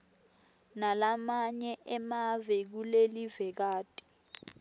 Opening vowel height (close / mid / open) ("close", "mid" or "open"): open